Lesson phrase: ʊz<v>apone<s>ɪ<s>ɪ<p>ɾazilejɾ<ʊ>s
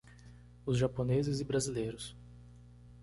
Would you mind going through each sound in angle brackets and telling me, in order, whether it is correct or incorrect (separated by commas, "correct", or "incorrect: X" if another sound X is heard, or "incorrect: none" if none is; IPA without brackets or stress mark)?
incorrect: ʒ, incorrect: z, incorrect: z, incorrect: b, correct